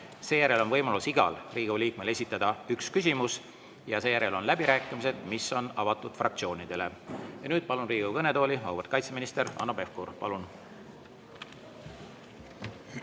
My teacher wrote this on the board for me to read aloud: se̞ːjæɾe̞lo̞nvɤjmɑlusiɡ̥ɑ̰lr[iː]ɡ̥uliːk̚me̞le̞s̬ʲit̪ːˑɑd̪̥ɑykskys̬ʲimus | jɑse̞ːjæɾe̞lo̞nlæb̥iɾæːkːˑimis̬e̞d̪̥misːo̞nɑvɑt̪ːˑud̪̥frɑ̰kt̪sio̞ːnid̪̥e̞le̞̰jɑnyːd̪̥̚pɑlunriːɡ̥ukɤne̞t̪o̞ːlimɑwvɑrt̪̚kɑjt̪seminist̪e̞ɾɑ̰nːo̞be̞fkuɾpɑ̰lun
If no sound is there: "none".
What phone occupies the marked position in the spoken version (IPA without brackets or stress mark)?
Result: iː